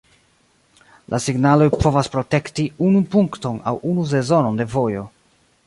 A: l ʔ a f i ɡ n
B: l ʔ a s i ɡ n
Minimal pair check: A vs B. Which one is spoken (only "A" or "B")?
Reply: B